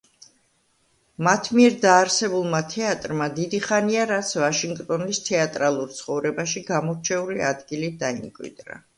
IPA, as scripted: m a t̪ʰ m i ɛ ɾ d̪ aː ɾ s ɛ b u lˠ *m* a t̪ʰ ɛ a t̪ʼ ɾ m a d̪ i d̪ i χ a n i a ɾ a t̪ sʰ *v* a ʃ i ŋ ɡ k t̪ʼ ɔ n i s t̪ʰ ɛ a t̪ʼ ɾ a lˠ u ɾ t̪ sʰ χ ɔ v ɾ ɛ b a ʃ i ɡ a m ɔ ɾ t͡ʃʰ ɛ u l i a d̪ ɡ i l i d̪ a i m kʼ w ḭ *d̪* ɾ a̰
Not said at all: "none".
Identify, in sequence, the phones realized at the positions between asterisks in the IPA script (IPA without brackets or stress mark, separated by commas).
m, v, d̪